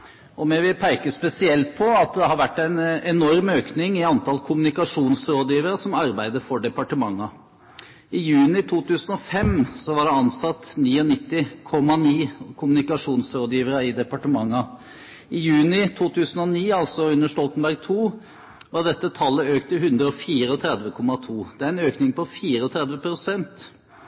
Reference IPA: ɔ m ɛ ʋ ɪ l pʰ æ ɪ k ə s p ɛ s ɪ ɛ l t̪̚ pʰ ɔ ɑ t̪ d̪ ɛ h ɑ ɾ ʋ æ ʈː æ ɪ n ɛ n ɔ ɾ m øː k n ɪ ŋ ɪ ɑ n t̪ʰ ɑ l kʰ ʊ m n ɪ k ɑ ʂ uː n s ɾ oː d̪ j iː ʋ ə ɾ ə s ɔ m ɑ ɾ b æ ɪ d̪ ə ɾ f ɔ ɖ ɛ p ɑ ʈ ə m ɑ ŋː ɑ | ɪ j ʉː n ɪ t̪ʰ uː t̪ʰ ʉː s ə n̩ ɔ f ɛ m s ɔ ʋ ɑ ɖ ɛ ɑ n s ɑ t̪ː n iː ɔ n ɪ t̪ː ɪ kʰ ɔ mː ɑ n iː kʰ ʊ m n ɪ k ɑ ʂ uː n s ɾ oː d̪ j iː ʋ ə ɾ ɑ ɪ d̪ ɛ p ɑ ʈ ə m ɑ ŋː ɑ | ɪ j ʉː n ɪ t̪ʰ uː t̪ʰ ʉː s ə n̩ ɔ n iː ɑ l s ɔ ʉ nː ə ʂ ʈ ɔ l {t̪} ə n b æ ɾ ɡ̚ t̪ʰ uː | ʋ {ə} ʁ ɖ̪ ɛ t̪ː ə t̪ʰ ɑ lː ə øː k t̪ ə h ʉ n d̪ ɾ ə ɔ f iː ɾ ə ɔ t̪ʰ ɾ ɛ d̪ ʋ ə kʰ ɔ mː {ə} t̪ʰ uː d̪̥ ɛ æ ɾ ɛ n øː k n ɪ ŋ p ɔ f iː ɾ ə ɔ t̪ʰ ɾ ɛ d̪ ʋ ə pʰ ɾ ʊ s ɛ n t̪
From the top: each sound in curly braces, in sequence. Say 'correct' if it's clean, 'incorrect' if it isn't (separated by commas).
correct, incorrect, incorrect